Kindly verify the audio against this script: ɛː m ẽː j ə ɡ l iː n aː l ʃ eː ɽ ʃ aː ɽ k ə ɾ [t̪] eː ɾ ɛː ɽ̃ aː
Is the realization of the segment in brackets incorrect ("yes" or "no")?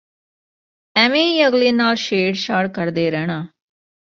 yes